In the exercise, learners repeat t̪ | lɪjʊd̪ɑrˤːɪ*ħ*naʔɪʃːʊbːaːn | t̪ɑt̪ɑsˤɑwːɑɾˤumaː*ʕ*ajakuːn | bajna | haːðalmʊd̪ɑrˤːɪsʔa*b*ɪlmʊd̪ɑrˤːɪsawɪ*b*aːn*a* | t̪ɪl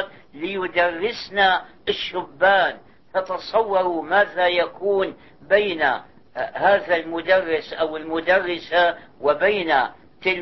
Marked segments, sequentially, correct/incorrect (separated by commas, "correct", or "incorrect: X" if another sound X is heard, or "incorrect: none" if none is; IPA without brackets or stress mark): incorrect: s, incorrect: ð, incorrect: w, correct, correct